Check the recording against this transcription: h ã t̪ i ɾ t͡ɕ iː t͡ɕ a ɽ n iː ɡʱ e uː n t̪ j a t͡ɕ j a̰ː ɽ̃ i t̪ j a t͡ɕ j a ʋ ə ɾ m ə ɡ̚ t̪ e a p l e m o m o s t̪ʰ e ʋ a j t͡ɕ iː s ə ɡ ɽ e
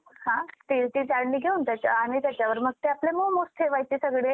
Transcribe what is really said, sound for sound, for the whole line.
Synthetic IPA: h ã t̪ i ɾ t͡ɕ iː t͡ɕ a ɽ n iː ɡʱ e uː n t̪ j a t͡ɕ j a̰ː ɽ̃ i t̪ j a t͡ɕ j a ʋ ə ɾ m ə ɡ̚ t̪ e a p l e m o m o s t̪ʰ e ʋ a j t͡ɕ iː s ə ɡ ɽ e